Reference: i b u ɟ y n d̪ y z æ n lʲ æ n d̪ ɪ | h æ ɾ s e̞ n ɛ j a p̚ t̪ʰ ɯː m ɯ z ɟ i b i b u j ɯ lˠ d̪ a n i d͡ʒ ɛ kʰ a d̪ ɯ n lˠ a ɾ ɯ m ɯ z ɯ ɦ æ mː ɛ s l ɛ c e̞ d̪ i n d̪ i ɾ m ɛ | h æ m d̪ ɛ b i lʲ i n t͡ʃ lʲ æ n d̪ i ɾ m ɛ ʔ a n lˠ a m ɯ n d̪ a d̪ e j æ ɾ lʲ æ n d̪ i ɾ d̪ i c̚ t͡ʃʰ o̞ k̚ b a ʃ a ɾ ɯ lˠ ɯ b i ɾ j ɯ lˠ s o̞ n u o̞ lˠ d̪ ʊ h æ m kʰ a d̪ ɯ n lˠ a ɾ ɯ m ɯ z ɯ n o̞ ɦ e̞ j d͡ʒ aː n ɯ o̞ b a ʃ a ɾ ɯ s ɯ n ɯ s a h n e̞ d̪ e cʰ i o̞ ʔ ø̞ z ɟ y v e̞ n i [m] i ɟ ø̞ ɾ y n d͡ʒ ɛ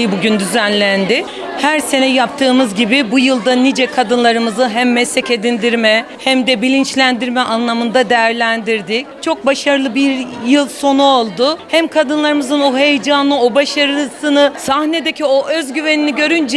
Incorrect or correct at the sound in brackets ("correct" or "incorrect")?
incorrect